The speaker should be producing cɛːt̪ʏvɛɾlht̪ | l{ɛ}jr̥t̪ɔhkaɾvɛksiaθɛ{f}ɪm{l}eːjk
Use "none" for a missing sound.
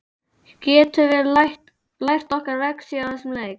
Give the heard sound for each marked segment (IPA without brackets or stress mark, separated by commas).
a, s, l